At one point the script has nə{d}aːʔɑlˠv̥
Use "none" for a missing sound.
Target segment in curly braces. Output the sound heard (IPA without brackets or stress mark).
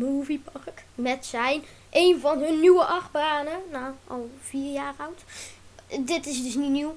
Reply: n